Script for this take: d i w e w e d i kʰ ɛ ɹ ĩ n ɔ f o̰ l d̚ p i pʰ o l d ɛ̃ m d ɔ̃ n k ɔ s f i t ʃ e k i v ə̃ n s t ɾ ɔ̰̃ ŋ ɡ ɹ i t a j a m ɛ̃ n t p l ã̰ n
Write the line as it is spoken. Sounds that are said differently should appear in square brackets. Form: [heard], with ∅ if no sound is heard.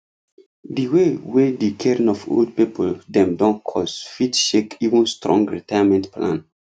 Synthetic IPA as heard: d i w e w e d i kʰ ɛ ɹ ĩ n ɔ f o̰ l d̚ p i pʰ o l d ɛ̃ m d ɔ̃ n [kʰ] ɔ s f i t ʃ e k i v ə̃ n s t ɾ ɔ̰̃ ŋ ɡ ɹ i t a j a m ɛ̃ n t p l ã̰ n